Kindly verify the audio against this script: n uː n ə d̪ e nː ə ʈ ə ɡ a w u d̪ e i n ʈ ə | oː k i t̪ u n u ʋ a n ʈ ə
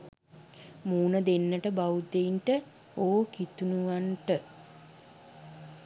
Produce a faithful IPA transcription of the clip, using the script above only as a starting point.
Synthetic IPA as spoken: m uː n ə d̪ e nː ə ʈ ə b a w u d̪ e i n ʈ ə | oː k i t̪ u n u ʋ a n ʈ ə